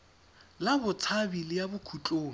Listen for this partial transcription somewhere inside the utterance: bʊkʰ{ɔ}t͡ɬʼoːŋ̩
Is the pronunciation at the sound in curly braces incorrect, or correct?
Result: incorrect